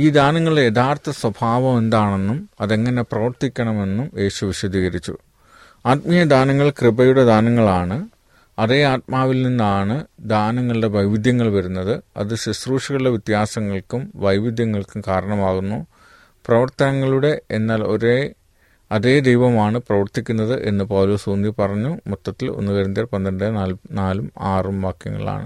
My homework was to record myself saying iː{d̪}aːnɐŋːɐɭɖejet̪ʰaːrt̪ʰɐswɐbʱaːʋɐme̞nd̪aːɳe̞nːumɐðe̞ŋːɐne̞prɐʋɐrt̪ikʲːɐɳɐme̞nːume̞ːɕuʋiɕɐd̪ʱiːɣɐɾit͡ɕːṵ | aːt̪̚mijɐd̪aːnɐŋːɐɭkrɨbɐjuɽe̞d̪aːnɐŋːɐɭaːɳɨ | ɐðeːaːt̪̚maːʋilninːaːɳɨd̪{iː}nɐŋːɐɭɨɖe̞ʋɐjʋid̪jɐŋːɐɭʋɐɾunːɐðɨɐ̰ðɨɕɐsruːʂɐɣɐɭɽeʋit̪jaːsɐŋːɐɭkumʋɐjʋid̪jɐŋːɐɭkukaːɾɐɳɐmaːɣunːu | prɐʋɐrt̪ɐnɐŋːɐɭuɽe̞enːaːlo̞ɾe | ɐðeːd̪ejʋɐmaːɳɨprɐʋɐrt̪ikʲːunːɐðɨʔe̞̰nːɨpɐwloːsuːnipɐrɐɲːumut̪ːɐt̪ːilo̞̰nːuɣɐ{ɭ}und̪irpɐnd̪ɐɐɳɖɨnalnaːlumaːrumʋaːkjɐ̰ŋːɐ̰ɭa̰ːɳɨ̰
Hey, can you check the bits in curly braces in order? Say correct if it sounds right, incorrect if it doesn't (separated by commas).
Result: correct, incorrect, incorrect